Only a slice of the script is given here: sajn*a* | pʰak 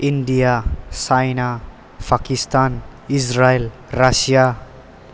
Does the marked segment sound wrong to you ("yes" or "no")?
no